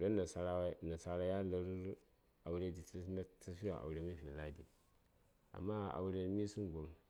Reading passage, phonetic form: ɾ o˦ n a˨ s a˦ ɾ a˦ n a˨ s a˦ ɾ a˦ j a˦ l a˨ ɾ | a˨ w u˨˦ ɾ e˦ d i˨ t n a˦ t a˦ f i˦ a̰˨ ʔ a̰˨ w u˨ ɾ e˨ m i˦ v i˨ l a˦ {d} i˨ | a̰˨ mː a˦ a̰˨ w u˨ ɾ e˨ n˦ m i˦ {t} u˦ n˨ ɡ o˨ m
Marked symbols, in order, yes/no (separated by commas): yes, no